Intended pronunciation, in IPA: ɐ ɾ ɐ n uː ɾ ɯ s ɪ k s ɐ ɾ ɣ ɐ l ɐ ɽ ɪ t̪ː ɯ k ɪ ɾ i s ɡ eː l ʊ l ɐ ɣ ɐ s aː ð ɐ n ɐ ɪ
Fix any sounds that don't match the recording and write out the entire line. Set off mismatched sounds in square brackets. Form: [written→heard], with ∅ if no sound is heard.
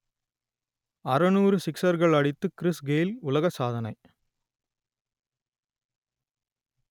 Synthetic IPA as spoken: ɐ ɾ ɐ n uː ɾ ɯ s ɪ k s ɐ ɾ ɣ ɐ [l→ɭ] ɐ ɽ ɪ t̪ː ɯ k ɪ ɾ [i→ɪ] s ɡ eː l ʊ l ɐ ɣ ɐ s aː ð ɐ n ɐ ɪ